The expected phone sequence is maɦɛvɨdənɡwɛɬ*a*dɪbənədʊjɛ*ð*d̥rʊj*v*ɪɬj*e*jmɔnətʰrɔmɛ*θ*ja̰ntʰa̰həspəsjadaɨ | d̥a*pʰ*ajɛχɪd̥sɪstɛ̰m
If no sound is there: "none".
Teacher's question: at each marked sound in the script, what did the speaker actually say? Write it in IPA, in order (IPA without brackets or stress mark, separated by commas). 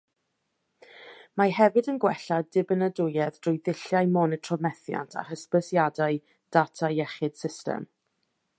a, ð, ð, a, θ, tʰ